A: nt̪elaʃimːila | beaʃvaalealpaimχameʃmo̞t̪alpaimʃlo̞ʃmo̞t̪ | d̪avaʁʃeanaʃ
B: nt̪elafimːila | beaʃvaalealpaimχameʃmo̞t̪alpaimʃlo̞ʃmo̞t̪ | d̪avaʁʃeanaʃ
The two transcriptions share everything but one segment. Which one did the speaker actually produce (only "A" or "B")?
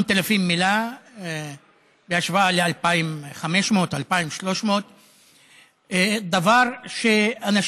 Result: B